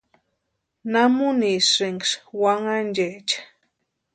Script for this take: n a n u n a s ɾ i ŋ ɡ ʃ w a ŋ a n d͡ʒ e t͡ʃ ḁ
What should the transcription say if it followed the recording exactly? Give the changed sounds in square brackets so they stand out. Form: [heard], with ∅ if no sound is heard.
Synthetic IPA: n a [m] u n [i] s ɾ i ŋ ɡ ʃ w a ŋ a n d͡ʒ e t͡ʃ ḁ